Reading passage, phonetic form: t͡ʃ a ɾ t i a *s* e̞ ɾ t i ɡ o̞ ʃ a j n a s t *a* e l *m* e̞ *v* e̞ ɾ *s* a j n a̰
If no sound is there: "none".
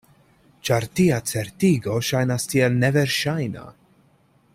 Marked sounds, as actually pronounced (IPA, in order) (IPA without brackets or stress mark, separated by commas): t͡s, i, n, v, ʃ